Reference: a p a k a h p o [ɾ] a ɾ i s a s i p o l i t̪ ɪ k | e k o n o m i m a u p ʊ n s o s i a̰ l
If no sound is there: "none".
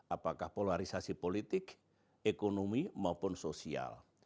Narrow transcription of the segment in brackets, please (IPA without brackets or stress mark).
l